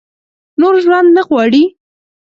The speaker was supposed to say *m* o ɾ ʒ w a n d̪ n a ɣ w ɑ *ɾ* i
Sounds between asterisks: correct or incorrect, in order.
incorrect, incorrect

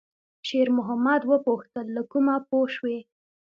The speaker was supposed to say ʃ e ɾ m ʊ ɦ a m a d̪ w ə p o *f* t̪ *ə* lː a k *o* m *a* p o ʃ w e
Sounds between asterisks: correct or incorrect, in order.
incorrect, correct, incorrect, correct

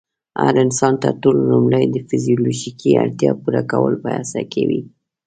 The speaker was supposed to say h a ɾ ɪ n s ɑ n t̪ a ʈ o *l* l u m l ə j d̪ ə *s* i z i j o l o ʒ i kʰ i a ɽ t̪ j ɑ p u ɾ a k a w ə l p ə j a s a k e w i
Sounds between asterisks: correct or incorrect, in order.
correct, incorrect

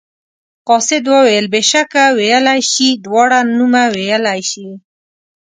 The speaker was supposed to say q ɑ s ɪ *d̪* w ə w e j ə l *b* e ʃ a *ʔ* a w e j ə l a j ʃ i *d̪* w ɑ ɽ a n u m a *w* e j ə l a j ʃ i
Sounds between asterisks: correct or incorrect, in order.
correct, correct, incorrect, correct, correct

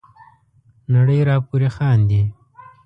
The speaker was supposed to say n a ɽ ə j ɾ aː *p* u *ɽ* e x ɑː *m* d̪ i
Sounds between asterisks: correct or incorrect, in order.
correct, incorrect, incorrect

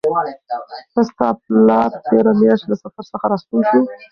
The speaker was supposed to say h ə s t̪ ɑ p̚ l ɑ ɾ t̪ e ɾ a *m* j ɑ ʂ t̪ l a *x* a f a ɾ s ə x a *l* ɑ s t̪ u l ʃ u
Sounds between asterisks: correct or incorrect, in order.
correct, incorrect, incorrect

